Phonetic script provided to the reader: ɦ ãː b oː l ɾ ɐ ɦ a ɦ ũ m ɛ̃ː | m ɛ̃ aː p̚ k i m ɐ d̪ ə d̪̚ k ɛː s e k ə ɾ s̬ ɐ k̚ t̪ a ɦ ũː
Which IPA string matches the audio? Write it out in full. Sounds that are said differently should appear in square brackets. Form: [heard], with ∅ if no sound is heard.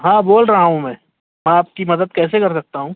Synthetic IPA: ɦ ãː b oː l ɾ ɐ ɦ a ɦ ũ m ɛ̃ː | m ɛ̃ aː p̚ k i m ɐ d̪ ə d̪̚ k ɛː s e k [ɐ] ɾ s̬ ɐ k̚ t̪ a ɦ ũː